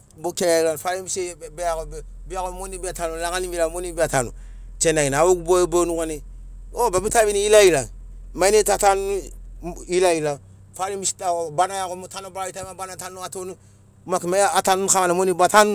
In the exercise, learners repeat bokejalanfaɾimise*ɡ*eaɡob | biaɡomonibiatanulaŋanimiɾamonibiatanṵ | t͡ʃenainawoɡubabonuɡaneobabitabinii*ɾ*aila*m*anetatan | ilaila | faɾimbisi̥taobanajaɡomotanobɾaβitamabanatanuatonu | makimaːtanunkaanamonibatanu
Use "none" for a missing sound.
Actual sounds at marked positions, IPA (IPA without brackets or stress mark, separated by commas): b, l, m